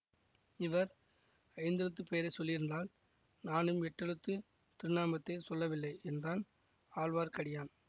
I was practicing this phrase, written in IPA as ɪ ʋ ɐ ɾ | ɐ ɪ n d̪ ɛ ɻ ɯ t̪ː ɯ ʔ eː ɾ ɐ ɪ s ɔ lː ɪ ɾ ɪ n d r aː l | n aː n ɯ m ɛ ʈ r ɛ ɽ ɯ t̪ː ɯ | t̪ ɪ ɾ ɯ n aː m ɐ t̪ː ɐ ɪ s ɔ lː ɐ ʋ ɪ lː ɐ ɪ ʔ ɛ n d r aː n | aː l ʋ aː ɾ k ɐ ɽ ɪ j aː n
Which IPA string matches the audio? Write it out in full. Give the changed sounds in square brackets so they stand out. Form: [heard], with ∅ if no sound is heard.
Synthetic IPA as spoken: ɪ ʋ ɐ ɾ | ɐ ɪ n d̪ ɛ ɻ ɯ t̪ː ɯ [p] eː ɾ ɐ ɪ s ɔ lː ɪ ɾ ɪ n d r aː l | n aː n ɯ m ɛ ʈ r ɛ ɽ ɯ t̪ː ɯ | t̪ ɪ ɾ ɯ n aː m ɐ t̪ː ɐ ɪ s ɔ lː ɐ ʋ ɪ lː ɐ ɪ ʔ ɛ n d r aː n | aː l ʋ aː ɾ k ɐ ɽ ɪ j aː n

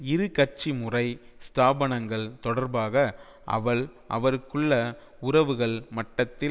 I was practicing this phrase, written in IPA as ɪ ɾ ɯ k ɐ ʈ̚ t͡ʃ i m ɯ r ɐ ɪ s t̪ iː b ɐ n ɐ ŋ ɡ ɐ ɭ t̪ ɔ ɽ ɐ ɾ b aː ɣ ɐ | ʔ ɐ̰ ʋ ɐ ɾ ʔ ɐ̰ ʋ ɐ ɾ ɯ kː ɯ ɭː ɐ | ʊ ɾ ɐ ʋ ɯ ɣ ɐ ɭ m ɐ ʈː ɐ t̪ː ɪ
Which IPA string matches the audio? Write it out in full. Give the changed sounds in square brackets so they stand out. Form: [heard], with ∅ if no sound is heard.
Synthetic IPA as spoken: ɪ ɾ ɯ k ɐ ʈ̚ t͡ʃ i m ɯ r ɐ ɪ s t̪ [aː] b ɐ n ɐ ŋ ɡ ɐ ɭ t̪ ɔ ɽ ɐ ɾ b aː ɣ ɐ | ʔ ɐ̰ ʋ ɐ [ɭ] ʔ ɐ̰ ʋ ɐ ɾ ɯ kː ɯ ɭː ɐ | ʊ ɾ ɐ ʋ ɯ ɣ ɐ ɭ m ɐ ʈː ɐ t̪ː ɪ

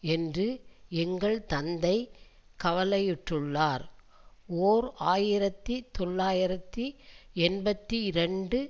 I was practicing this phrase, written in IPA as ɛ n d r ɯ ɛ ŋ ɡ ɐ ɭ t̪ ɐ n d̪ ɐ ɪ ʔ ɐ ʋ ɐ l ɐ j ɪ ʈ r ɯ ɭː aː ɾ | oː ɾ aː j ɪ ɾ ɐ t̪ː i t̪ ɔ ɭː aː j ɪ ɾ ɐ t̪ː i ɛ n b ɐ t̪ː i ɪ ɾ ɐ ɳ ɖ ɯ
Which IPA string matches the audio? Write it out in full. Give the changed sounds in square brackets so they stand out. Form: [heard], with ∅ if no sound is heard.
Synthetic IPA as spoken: ɛ n d r ɯ ɛ ŋ ɡ ɐ ɭ t̪ ɐ n d̪ ɐ ɪ [k] ɐ ʋ ɐ l ɐ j ɪ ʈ r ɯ ɭː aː ɾ | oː ɾ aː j ɪ ɾ ɐ t̪ː i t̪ ɔ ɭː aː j ɪ ɾ ɐ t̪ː i ɛ n b ɐ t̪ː i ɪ ɾ ɐ ɳ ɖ ɯ

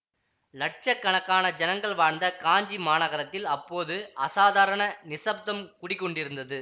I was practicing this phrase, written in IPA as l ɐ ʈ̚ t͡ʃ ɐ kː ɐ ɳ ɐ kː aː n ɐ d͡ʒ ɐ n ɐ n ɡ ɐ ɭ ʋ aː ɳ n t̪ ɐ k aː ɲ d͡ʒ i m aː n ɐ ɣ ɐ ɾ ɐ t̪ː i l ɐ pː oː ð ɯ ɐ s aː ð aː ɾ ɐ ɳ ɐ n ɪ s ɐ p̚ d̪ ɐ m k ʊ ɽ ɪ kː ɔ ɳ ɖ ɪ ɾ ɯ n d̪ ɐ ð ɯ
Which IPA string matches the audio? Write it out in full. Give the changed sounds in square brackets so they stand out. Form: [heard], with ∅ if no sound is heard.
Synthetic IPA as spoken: l ɐ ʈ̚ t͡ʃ ɐ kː ɐ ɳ ɐ kː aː n ɐ d͡ʒ ɐ n ɐ [ŋ] ɡ ɐ ɭ ʋ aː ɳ n [d̪] ɐ k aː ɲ d͡ʒ i m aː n ɐ ɣ ɐ ɾ ɐ t̪ː [ɪ] l ɐ pː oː ð ɯ ɐ s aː ð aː ɾ ɐ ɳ ɐ n ɪ s ɐ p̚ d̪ ɐ m k ʊ ɽ ɪ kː ɔ ɳ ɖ ɪ ɾ ɯ n d̪ ɐ ð ɯ

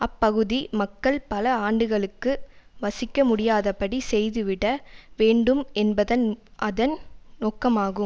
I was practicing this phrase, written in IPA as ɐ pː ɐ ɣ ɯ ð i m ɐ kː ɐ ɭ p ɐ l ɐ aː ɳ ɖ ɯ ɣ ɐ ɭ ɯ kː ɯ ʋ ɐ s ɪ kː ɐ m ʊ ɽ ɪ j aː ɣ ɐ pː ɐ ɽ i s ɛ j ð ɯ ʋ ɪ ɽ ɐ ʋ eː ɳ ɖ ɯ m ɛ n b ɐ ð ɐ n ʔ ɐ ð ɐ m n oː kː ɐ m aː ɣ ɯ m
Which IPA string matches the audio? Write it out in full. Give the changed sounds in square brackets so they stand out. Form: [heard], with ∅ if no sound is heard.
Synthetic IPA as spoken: ɐ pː ɐ ɣ ɯ ð i m ɐ kː ɐ ɭ p ɐ l ɐ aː ɳ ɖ ɯ ɣ ɐ ɭ ɯ kː ɯ ʋ ɐ s ɪ kː ɐ m ʊ ɽ ɪ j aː [ð] ɐ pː ɐ ɽ i s ɛ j ð ɯ ʋ ɪ ɽ ɐ ʋ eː ɳ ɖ ɯ m ɛ n b ɐ ð ɐ n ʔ ɐ ð ɐ [n] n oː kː ɐ m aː ɣ ɯ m

